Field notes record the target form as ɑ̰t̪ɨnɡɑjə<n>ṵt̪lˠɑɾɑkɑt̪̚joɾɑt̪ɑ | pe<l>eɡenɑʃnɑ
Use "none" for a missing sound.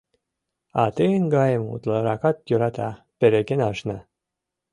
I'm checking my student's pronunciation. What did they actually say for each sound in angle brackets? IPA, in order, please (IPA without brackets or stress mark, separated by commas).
m, ɾ